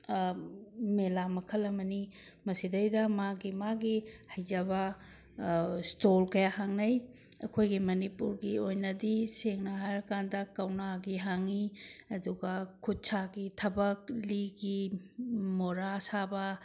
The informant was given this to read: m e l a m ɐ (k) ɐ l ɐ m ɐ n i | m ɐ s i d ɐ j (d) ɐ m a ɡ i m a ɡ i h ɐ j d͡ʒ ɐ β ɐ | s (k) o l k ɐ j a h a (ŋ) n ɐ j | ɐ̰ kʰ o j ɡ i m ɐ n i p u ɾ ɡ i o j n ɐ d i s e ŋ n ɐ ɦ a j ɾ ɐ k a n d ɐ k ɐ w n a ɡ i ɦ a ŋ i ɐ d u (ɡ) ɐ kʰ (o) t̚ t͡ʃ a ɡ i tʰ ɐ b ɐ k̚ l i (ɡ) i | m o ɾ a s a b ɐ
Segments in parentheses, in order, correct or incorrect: incorrect, correct, incorrect, correct, correct, incorrect, correct

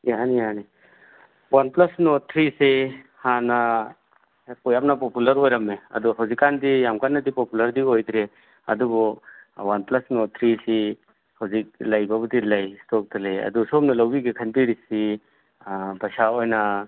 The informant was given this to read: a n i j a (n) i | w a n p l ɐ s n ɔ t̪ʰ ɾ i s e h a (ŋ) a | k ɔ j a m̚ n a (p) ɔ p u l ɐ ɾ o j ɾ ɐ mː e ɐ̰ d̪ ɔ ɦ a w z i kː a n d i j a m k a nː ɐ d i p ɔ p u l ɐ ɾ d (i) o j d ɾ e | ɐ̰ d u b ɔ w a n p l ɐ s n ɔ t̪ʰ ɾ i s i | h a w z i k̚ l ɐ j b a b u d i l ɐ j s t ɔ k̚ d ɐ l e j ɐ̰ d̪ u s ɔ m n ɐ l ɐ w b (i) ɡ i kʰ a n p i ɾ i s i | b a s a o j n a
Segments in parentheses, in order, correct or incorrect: correct, incorrect, correct, correct, correct

